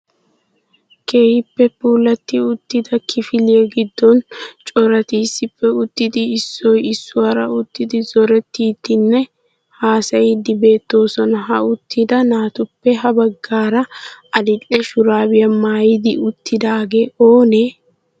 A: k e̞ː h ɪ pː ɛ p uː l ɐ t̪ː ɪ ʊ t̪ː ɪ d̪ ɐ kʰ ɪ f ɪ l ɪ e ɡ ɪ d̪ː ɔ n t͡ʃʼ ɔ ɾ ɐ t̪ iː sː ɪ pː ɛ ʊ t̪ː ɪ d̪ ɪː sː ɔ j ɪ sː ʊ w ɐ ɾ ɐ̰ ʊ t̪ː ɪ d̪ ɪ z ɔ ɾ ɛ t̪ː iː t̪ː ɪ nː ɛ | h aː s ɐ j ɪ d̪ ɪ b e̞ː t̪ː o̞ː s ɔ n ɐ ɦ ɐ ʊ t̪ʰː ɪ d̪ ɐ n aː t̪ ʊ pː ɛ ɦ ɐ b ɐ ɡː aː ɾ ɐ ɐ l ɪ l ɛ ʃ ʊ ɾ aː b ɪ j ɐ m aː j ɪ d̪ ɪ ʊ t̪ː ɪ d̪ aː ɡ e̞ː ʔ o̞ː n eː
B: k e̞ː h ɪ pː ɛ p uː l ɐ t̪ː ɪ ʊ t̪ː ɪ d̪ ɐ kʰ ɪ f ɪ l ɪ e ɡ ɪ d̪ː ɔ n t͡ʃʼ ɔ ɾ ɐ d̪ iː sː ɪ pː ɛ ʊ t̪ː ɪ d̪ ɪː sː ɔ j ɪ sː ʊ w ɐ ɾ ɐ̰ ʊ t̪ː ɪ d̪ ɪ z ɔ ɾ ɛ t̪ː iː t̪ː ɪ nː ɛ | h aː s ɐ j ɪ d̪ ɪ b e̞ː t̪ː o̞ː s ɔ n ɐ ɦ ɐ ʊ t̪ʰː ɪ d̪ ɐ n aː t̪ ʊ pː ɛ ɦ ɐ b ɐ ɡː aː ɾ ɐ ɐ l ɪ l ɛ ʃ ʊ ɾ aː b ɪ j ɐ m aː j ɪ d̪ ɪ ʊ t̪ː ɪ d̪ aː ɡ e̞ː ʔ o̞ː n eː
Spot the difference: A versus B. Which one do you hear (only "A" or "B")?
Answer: A